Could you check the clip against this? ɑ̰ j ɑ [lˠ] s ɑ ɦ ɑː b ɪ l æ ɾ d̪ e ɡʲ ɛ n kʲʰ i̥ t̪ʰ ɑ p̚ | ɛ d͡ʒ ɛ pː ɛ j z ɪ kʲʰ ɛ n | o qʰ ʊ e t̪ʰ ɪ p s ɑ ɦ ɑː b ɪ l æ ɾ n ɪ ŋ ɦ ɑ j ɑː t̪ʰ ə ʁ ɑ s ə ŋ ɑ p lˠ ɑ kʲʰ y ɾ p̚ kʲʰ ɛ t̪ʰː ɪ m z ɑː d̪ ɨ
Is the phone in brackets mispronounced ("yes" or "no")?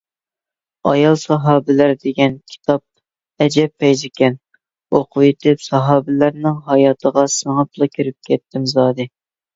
no